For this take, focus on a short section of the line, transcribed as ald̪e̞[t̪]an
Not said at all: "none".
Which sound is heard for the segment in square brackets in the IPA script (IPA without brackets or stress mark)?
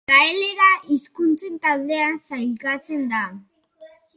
none